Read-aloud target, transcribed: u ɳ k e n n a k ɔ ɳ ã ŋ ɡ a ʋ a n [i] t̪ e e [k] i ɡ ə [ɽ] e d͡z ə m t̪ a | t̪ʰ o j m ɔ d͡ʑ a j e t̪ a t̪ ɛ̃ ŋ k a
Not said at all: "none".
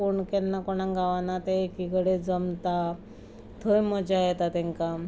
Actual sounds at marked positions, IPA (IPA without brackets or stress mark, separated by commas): a, k, ɽ